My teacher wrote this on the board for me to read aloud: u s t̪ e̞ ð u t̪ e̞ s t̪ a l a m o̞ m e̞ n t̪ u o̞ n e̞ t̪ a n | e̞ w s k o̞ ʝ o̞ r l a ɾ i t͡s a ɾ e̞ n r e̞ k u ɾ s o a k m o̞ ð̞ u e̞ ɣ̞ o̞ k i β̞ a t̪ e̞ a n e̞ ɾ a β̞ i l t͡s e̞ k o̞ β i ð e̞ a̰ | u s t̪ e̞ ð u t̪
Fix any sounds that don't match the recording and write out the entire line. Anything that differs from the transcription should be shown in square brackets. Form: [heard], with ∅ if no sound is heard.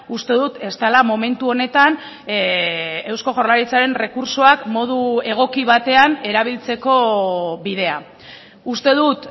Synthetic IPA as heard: u s t̪ e̞ ð u t̪ e̞ s t̪ a l a m o̞ m e̞ n t̪ u o̞ n e̞ t̪ a n | e̞ w s k o̞ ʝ o̞ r l a ɾ i t͡s a ɾ e̞ n r e̞ k u ɾ s o a k m o̞ ð̞ u e̞ ɣ̞ o̞ k i β̞ a t̪ e̞ a n e̞ ɾ a β̞ i l t͡s e̞ k o̞ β i ð e̞ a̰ | u s t̪ e̞ ð u t̪

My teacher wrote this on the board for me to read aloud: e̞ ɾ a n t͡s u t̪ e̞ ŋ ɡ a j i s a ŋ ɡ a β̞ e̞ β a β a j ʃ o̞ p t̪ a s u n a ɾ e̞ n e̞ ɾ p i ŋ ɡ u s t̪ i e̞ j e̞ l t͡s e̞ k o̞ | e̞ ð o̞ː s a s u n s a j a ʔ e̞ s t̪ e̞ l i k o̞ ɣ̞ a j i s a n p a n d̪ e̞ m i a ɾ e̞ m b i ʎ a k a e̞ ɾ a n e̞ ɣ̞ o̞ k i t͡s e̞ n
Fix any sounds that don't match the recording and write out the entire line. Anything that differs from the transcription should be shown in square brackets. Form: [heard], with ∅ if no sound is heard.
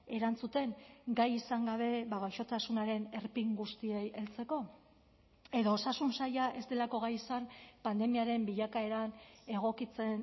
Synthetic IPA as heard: e̞ ɾ a n t͡s u t̪ e̞ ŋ ɡ a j i s a ŋ ɡ a β̞ e̞ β a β a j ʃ o̞ [∅] t̪ a s u n a ɾ e̞ n e̞ ɾ p i ŋ ɡ u s t̪ i e̞ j e̞ l t͡s e̞ k o̞ | e̞ ð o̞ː s a s u n s a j a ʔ e̞ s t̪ e̞ l [a] k o̞ ɣ̞ a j i s a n p a n d̪ e̞ m i a ɾ e̞ m b i ʎ a k a e̞ ɾ a n e̞ ɣ̞ o̞ k i t͡s e̞ n

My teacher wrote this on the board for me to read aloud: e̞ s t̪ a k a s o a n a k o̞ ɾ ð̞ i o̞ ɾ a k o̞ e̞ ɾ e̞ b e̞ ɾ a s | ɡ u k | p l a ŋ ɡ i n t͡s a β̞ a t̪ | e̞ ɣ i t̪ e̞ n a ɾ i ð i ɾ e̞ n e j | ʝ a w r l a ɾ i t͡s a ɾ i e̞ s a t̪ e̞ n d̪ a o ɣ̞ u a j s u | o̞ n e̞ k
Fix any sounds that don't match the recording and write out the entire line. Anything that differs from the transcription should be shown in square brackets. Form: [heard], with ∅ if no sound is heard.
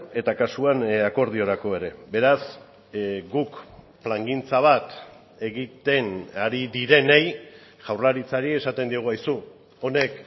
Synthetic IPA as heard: e̞ [∅] t̪ a k a s [u] a n a k o̞ ɾ ð̞ i o̞ ɾ a k o̞ e̞ ɾ e̞ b e̞ ɾ a s | ɡ u k | p l a ŋ ɡ i n t͡s a β̞ a t̪ | e̞ ɣ i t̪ e̞ n a ɾ i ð i ɾ e̞ n e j | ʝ a w r l a ɾ i t͡s a ɾ i e̞ s a t̪ e̞ n d̪ [i] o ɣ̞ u a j s u | o̞ n e̞ k

